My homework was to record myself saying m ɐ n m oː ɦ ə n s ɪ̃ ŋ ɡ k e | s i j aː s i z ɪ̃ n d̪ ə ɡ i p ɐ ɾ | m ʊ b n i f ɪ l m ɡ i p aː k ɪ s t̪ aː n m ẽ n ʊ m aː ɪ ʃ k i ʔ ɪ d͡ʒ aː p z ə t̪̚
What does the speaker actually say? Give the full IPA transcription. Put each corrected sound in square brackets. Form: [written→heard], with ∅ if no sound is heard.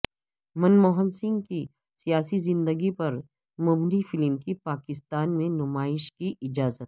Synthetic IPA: m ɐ n m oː ɦ ə n s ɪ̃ ŋ ɡ k [e→i] | s i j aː s i z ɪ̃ n d̪ ə ɡ i p ɐ ɾ | m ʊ b n i f ɪ l m [ɡ→k] i p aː k ɪ s t̪ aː n m ẽ n ʊ m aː ɪ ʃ k i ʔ ɪ d͡ʒ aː [p→∅] z ə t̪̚